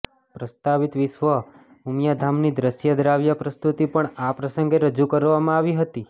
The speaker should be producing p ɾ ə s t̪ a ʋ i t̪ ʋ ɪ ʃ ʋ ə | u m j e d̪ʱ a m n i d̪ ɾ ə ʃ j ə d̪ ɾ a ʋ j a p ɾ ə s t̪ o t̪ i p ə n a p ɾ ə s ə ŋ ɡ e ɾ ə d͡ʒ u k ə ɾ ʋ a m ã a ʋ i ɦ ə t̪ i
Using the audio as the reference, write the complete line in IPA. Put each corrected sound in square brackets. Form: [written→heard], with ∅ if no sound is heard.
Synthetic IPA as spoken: p ɾ ə s t̪ a ʋ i t̪ ʋ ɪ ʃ ʋ ə | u m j [e→a] d̪ʱ a m n i d̪ ɾ ə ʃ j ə d̪ ɾ a ʋ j a p ɾ ə s t̪ [o→u] t̪ i p ə [n→ɳ] a p ɾ ə s ə ŋ ɡ e ɾ ə d͡ʒ u k ə ɾ ʋ a m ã a ʋ i ɦ ə t̪ i